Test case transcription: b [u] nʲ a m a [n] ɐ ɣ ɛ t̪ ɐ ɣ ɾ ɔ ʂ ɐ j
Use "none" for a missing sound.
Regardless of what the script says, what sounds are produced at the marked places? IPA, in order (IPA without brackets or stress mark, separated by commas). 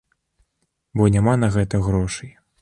ɔ, n